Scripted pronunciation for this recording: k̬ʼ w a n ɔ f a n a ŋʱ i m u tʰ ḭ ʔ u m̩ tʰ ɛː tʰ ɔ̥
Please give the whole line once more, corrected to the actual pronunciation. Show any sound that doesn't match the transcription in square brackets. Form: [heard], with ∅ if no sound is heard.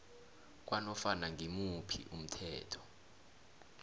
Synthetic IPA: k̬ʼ w a n ɔ f a n a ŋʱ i m u [pʰ] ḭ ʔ u m̩ tʰ ɛː tʰ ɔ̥